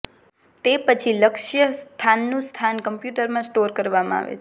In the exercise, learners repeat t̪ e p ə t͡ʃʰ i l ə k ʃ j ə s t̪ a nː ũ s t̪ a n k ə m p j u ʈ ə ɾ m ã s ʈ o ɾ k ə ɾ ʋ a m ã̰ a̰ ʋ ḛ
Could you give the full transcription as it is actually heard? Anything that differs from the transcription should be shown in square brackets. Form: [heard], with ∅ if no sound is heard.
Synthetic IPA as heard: t̪ e p ə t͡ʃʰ i l ə k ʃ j ə s [t̪ʰ] a nː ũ s [t̪ʰ] a n k ə m p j u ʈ ə ɾ m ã s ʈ o ɾ k ə ɾ ʋ a m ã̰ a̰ ʋ ḛ